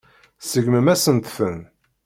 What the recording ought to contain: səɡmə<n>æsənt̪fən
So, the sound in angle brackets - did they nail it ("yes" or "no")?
no